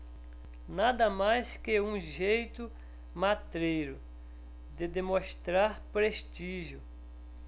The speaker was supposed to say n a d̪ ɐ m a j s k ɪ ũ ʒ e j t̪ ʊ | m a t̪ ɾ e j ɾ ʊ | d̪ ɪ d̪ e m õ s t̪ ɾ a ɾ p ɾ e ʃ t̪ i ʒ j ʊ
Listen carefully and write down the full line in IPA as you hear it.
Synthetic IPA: n a d̪ ɐ m a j s k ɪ ũ ʒ e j t̪ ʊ | m a t̪ ɾ e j ɾ ʊ | d̪ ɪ d̪ e m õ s t̪ ɾ a ɾ p ɾ e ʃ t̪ i ʒ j ʊ